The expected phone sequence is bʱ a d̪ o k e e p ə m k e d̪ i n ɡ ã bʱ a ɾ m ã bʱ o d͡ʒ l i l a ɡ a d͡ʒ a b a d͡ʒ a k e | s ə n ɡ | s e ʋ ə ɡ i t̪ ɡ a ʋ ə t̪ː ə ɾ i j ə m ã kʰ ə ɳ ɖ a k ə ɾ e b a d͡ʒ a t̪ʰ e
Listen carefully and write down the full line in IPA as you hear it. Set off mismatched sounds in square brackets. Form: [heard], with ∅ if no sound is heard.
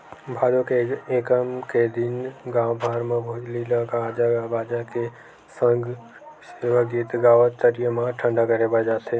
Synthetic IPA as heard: bʱ a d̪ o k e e [k] ə m k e d̪ i n ɡ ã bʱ a ɾ m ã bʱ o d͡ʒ l i l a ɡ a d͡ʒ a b a d͡ʒ a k e | s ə [ŋ] ɡ | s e ʋ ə ɡ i t̪ ɡ a ʋ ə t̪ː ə ɾ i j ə m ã [ʈʰ] ə ɳ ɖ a k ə ɾ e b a d͡ʒ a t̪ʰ e